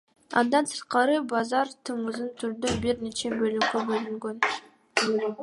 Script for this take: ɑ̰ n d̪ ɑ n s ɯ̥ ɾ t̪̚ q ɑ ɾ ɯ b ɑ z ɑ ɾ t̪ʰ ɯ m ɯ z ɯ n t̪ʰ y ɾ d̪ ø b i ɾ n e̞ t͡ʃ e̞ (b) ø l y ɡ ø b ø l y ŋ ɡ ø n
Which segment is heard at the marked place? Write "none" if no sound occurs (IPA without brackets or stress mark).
b